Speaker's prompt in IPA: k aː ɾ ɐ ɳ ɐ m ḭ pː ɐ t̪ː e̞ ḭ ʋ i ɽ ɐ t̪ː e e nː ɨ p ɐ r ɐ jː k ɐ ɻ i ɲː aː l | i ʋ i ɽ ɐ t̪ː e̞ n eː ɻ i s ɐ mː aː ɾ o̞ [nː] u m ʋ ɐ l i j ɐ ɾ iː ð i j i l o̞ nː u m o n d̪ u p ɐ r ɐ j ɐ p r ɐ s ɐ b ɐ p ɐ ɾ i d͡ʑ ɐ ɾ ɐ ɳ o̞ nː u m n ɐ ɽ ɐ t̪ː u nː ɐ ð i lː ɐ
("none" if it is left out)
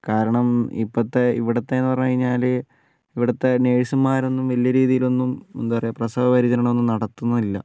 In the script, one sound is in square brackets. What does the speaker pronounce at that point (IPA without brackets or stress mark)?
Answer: nː